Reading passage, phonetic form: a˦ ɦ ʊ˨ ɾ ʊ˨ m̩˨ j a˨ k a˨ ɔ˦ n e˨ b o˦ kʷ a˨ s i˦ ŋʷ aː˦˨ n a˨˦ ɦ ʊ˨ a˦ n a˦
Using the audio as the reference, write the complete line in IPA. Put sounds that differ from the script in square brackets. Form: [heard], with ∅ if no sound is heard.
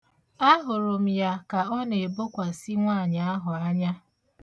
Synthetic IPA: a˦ ɦ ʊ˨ ɾ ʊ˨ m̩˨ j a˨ k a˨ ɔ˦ n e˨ b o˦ kʷ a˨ s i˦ ŋʷ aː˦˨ [ɲ] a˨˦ ɦ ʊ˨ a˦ [ɲ] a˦